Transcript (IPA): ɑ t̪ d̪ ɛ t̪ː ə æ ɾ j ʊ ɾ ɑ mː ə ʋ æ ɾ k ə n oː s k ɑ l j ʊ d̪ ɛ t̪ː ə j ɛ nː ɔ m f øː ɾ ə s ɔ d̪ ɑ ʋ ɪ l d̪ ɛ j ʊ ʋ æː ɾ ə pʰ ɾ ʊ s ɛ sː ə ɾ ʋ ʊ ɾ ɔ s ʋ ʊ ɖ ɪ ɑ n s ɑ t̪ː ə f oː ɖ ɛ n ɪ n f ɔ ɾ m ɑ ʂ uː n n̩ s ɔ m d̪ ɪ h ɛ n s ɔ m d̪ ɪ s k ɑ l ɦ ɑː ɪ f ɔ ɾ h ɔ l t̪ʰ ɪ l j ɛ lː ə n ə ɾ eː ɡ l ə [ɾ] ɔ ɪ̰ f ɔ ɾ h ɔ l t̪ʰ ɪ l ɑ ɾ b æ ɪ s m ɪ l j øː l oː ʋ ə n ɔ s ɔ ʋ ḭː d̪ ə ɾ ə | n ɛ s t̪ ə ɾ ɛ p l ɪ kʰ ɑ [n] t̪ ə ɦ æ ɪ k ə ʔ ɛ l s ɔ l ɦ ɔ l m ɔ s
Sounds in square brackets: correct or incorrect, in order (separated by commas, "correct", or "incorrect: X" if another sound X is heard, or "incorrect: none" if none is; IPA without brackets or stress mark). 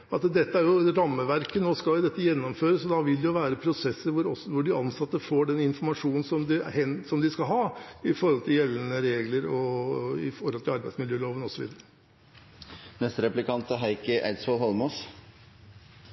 correct, correct